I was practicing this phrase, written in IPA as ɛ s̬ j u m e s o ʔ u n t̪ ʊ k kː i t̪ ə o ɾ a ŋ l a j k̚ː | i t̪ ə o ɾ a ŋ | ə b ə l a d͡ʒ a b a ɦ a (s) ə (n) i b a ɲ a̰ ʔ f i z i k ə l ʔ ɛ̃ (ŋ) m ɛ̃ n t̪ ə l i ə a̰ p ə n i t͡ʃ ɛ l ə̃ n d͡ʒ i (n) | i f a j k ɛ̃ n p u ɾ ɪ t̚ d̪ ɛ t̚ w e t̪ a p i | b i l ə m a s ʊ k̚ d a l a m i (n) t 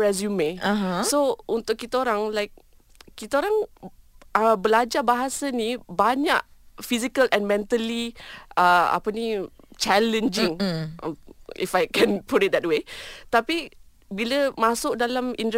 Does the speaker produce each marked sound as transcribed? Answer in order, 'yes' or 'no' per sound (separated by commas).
yes, yes, no, no, yes